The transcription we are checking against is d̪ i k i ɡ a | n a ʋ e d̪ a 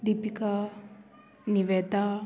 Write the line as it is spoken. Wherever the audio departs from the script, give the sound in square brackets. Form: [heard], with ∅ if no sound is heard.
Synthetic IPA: d̪ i [p] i [k] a | n [i] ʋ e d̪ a